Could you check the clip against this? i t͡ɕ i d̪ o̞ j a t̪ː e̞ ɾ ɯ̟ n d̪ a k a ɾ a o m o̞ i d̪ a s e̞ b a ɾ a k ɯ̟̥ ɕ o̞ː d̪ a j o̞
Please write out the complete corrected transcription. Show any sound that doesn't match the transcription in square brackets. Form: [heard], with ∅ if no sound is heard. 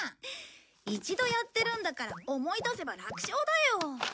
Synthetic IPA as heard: i t͡ɕ i d̪ o̞ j a t̪ː e̞ ɾ [ɯ̟̃] n d̪ a k a ɾ a o m o̞ i d̪ a s e̞ b a ɾ a k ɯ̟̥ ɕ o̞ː d̪ a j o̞